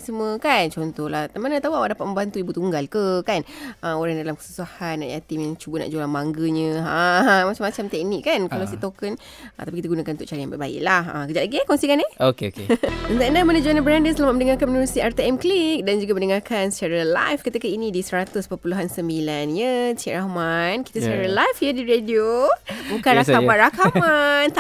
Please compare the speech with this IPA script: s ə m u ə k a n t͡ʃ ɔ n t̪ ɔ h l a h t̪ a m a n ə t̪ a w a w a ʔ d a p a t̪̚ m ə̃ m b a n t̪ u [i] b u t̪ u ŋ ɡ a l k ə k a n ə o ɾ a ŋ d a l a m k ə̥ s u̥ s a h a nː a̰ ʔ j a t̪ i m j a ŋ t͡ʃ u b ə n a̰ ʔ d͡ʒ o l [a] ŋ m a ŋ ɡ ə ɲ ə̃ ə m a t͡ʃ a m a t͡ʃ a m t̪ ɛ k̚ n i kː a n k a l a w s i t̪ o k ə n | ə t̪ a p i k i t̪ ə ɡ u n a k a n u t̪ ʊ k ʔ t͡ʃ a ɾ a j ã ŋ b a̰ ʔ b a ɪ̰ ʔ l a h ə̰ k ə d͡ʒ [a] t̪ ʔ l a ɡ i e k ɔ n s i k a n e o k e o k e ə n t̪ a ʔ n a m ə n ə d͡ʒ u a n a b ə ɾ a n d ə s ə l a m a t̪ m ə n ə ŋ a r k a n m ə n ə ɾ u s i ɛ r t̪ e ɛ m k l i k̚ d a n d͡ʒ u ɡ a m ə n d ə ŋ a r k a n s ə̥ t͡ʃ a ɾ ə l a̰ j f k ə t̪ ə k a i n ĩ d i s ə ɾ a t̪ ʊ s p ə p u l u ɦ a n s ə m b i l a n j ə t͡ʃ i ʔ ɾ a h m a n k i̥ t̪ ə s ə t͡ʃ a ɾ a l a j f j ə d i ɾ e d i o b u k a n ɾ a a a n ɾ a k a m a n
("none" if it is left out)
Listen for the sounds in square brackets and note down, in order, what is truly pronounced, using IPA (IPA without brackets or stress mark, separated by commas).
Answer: i, a, a